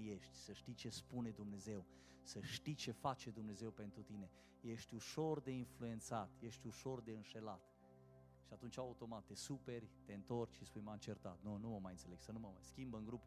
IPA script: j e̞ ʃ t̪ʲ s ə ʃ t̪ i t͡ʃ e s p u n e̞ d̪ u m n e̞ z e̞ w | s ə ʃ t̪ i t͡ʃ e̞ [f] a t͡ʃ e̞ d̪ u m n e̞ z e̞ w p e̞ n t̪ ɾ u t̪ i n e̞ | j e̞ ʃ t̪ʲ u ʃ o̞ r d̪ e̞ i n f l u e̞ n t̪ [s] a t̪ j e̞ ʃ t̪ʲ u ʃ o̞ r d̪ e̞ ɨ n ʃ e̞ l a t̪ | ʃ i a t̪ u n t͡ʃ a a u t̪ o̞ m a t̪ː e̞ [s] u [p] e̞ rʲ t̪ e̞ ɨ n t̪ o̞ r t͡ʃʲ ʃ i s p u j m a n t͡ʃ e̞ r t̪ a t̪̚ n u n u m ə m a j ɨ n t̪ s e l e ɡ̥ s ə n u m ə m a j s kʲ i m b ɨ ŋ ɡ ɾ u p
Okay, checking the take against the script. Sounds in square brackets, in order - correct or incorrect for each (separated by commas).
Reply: correct, correct, correct, correct